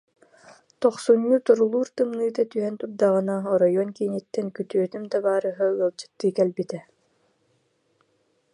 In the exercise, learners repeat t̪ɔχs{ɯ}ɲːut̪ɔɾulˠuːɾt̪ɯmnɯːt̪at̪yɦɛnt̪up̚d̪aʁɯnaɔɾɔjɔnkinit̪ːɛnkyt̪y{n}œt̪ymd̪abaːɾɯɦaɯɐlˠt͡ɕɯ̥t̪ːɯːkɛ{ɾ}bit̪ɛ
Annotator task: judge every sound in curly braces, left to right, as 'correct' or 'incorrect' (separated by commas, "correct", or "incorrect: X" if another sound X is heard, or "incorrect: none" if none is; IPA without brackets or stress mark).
incorrect: u, incorrect: none, incorrect: l